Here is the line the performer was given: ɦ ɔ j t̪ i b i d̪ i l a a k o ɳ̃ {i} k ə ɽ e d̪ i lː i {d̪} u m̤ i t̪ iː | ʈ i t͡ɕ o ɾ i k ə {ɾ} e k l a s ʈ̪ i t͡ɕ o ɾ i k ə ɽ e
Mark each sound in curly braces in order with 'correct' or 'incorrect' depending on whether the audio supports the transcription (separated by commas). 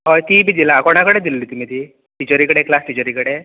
incorrect, incorrect, incorrect